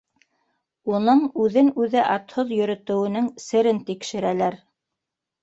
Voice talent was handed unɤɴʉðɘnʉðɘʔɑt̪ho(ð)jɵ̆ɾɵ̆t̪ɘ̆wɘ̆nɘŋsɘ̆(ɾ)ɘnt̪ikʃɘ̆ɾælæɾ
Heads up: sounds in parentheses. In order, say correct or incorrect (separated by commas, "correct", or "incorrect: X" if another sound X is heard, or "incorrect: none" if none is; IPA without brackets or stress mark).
correct, correct